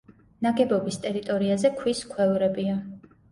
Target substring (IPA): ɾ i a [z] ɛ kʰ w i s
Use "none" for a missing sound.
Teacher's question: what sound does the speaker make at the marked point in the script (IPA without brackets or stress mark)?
z